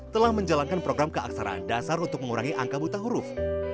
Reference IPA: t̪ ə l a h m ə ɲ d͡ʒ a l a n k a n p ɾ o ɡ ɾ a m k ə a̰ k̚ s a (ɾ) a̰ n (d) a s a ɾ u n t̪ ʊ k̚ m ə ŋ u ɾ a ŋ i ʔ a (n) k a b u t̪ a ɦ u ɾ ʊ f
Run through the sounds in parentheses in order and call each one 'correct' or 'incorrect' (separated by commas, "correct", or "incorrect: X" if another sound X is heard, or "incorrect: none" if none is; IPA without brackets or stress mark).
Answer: correct, correct, incorrect: ŋ